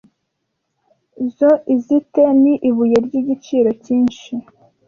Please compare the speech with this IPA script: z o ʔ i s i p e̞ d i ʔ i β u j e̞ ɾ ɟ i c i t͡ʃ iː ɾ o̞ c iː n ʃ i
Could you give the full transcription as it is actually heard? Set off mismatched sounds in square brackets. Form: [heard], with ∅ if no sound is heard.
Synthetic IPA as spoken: z o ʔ i [z] i [t] e̞ [n] i ʔ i β u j e̞ ɾ ɟ i [ɟ] i t͡ʃ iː ɾ o̞ c iː n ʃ i